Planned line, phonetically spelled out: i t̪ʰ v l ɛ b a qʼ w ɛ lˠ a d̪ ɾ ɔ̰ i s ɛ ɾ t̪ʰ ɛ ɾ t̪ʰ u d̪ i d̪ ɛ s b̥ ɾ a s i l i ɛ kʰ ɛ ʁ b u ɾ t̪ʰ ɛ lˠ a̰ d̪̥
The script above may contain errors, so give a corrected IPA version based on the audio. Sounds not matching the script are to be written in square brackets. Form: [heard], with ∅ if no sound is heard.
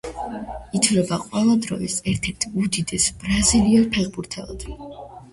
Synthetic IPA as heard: i t̪ʰ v l ɛ b a qʼ w ɛ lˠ a d̪ ɾ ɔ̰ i s ɛ ɾ t̪ʰ ɛ ɾ t̪ʰ u d̪ i d̪ ɛ s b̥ ɾ a [z] i l i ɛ [pʰ] ɛ ʁ b u ɾ t̪ʰ ɛ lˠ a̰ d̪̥